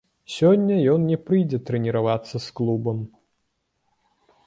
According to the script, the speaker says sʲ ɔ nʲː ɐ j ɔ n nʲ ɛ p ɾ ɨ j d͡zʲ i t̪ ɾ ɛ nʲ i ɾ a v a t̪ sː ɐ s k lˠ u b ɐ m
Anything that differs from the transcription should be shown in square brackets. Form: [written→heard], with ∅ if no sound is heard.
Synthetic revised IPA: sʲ ɔ nʲː ɐ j ɔ n nʲ ɛ p ɾ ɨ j d͡zʲ [i→ɛ] t̪ ɾ ɛ nʲ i ɾ a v a t̪ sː ɐ s k lˠ u b ɐ m